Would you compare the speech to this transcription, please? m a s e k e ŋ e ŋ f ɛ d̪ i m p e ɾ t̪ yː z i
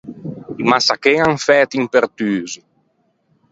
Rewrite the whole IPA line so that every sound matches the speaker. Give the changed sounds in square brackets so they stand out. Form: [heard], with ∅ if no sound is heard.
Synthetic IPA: m a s [a] k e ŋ [a] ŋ f ɛ [t̪] i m p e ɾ t̪ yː z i